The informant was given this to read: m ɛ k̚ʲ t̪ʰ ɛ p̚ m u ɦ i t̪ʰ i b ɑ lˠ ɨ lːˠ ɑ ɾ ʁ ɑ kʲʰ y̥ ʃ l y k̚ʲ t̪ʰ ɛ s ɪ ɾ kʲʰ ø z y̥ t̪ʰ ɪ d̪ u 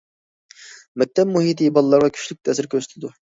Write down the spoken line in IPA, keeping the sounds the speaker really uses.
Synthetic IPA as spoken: m ɛ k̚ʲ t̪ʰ ɛ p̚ m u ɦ i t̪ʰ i b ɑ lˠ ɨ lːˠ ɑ ɾ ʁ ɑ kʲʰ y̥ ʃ l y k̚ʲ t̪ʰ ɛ s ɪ ɾ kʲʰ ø s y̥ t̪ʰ ɪ d̪ u